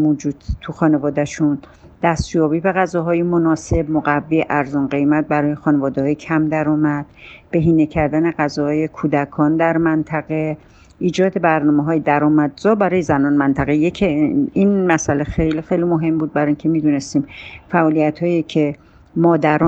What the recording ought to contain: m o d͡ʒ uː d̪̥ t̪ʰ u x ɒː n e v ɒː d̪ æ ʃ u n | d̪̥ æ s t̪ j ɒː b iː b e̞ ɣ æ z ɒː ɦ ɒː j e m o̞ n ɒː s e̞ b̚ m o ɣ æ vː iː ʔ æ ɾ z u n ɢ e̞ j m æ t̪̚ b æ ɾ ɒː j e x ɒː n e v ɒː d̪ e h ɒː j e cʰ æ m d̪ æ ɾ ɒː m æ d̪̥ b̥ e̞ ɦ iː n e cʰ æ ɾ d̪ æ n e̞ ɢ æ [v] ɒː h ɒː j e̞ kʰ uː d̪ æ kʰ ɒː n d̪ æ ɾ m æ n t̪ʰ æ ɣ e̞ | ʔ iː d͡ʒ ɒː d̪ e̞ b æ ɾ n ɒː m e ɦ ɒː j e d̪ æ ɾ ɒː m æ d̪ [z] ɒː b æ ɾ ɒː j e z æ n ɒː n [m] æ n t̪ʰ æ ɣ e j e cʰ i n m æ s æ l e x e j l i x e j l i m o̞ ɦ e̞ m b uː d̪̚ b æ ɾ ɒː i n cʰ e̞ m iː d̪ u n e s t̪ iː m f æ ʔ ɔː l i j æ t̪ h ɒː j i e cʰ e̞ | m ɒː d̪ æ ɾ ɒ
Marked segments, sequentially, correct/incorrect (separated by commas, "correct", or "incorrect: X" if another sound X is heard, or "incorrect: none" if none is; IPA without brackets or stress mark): incorrect: z, correct, correct